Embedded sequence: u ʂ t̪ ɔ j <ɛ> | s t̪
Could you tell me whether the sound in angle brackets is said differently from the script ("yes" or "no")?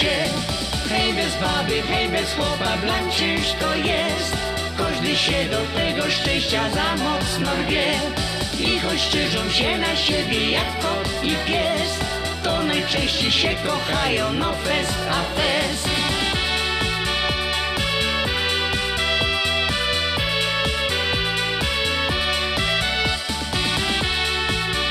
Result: no